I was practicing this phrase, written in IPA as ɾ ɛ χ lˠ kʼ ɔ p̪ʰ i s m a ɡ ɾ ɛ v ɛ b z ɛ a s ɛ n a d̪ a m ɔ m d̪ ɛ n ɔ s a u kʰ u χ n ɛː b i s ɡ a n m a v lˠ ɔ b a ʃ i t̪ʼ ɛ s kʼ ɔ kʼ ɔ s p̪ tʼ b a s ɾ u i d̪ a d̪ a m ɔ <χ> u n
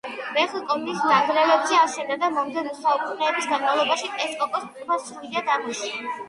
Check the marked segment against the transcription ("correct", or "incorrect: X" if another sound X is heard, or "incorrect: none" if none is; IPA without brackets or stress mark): incorrect: ʃ